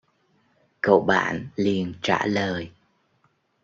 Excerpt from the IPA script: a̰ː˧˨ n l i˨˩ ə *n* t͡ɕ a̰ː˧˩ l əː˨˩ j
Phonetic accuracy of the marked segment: correct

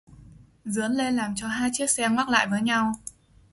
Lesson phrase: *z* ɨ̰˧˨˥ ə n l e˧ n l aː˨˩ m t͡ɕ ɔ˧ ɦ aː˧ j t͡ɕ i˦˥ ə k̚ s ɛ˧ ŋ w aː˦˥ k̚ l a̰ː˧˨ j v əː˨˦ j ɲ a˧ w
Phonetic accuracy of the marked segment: correct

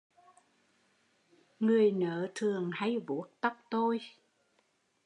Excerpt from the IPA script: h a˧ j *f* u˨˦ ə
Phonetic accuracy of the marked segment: incorrect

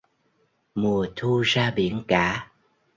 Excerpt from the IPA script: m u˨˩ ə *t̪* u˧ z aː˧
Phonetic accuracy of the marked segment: incorrect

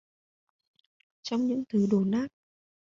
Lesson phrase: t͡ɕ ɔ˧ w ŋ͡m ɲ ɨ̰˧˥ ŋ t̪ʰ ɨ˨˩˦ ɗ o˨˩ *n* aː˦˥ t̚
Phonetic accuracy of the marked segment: correct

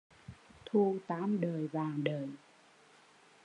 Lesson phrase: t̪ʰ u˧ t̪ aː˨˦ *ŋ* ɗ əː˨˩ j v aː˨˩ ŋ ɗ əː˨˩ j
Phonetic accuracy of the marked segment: incorrect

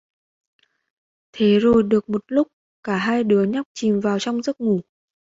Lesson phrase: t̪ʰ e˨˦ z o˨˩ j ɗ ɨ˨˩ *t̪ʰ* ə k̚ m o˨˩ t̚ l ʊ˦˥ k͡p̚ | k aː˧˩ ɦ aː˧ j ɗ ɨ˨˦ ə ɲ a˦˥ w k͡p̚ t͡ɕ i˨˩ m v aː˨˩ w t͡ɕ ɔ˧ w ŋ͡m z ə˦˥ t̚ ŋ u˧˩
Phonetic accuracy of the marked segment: incorrect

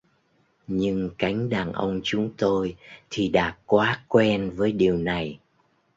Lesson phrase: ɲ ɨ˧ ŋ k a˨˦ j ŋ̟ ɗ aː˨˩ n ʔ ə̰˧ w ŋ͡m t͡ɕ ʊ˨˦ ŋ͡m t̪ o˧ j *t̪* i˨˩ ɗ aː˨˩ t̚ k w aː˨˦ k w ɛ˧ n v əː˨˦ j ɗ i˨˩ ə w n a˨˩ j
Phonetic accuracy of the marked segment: incorrect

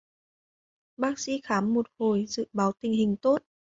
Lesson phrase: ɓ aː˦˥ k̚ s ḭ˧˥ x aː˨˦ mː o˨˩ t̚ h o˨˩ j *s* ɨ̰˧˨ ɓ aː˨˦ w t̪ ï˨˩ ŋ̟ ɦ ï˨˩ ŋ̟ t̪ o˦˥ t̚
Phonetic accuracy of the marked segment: incorrect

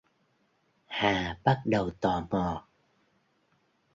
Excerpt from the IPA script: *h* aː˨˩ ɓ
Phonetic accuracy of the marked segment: correct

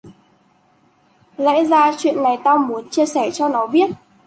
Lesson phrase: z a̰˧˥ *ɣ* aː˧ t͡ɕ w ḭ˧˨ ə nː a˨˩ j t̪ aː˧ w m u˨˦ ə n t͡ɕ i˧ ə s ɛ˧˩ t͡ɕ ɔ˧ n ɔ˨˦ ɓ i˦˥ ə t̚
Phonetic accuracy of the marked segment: incorrect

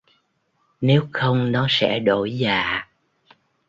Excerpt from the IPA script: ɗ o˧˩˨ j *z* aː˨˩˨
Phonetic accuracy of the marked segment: correct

